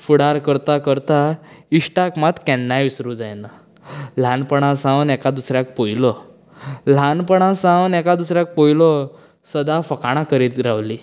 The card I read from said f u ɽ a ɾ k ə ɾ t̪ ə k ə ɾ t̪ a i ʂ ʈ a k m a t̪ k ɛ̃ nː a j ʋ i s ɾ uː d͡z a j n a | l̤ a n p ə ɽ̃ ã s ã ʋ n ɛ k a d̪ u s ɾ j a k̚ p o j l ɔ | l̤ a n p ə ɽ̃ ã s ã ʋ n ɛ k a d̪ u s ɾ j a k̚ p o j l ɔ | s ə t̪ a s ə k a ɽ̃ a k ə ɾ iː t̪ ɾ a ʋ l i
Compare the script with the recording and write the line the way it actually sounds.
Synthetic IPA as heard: f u ɽ a ɾ k ə ɾ t̪ a k ə ɾ t̪ a i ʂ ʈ a k m a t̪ k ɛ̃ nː a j ʋ i s ɾ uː d͡z a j n a | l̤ a n p ə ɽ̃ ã s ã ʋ n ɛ k a d̪ u s ɾ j a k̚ p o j l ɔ | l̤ a n p ə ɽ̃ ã s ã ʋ n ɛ k a d̪ u s ɾ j a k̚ p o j l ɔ | s ə d̪ a f ə k a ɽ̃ a k ə ɾ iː t̪ ɾ a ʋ l i